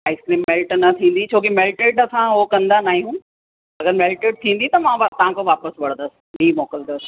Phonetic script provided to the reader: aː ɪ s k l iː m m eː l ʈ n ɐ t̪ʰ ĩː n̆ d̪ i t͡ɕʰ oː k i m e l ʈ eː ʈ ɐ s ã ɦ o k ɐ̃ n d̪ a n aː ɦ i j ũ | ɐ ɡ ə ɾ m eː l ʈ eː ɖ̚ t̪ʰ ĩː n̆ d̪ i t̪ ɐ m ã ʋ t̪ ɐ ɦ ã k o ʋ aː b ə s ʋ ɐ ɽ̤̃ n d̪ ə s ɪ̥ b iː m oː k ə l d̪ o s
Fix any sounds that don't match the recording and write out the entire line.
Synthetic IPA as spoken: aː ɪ s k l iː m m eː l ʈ n ɐ t̪ʰ ĩː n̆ d̪ i t͡ɕʰ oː k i m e l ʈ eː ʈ ɐ s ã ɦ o k ɐ̃ n d̪ a n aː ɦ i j ũ | ɐ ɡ ə ɾ m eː l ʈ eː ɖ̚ t̪ʰ ĩː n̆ d̪ i t̪ ɐ m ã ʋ t̪ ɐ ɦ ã k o ʋ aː p ə s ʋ ɐ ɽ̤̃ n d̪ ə s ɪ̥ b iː m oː k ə l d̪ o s